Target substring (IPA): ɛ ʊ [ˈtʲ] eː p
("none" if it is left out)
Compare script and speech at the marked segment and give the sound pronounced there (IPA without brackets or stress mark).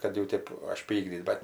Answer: tʲ